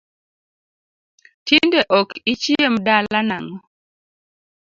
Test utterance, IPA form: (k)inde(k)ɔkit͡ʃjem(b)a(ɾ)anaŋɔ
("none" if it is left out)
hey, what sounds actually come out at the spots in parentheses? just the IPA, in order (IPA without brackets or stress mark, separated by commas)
t, ʔ, d, l